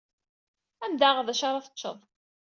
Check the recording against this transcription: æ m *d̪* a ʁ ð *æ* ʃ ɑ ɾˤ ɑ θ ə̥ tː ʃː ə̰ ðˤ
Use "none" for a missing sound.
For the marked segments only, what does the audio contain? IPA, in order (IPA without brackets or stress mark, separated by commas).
d̪, æ